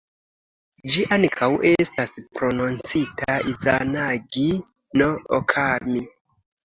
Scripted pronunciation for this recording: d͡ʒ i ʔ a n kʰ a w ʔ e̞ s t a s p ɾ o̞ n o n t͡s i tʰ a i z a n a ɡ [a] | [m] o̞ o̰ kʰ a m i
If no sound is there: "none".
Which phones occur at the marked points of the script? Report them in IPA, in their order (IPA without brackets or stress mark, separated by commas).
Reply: i, n